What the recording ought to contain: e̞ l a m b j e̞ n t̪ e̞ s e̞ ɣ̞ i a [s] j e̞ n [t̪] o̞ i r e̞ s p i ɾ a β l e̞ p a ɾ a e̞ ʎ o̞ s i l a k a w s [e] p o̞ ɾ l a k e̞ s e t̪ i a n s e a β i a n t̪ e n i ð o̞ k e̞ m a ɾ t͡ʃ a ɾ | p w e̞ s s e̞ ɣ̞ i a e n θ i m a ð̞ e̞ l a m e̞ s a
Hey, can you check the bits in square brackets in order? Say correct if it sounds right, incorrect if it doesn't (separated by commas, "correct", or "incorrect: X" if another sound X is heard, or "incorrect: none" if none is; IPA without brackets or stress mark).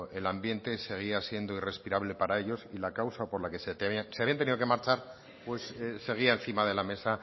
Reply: correct, incorrect: d̪, incorrect: a